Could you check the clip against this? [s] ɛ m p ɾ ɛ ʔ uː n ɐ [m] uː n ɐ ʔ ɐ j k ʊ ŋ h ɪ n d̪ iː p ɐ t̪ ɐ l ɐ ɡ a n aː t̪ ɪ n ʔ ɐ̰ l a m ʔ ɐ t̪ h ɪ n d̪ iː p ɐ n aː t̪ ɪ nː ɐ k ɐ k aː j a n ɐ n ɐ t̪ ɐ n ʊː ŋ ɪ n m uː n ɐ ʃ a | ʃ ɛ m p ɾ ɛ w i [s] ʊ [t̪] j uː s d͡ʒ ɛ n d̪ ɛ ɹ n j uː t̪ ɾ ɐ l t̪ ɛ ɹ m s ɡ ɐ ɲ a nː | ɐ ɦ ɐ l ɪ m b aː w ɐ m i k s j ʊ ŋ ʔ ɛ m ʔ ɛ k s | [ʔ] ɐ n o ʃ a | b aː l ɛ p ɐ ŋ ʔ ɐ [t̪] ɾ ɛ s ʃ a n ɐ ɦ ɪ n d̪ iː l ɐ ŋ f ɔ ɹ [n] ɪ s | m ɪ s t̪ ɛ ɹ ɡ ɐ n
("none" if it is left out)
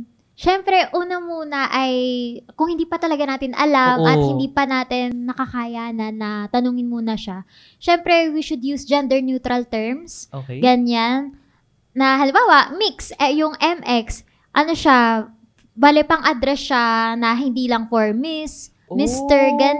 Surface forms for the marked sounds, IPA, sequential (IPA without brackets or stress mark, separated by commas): ʃ, m, ʃ, d̪, ʔ, d̪, m